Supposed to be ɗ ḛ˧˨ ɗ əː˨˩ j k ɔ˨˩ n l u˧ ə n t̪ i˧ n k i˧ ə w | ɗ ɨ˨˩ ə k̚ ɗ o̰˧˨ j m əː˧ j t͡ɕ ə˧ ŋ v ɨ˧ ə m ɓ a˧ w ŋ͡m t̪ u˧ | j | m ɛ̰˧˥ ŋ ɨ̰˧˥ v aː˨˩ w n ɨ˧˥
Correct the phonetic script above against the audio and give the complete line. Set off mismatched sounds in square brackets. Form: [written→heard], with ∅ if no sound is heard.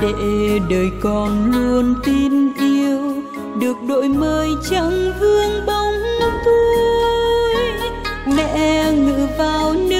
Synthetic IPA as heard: ɗ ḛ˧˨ ɗ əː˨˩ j k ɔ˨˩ n l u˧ ə n t̪ i˧ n [k→ʔ] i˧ ə w | ɗ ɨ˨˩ ə k̚ ɗ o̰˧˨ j m əː˧ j t͡ɕ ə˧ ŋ v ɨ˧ ə [m→ŋ] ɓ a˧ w ŋ͡m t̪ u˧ | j | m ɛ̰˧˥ ŋ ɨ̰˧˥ v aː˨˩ w n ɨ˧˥